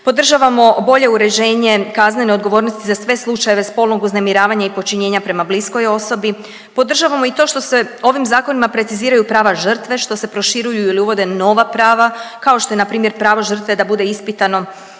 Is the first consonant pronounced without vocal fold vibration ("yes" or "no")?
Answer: yes